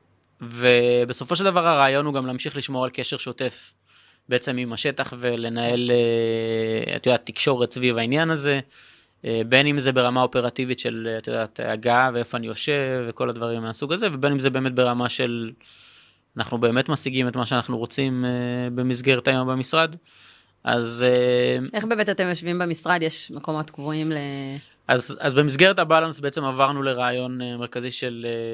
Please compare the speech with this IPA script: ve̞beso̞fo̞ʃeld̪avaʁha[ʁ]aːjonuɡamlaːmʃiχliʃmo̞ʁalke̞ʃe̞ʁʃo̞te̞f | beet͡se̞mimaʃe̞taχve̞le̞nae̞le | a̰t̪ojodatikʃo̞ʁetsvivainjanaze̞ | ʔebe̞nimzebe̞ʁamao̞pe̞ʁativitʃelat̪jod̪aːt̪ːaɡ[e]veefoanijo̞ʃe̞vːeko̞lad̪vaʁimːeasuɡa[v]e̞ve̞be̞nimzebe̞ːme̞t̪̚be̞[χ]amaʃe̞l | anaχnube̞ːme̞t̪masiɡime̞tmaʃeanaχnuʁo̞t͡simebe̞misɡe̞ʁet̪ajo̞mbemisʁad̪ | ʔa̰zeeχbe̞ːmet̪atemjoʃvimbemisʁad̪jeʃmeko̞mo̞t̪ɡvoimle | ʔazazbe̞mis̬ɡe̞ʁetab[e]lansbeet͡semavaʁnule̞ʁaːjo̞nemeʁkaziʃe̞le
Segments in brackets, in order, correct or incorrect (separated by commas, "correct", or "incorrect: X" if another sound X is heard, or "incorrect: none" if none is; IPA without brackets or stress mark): correct, incorrect: a, incorrect: z, incorrect: ʁ, incorrect: a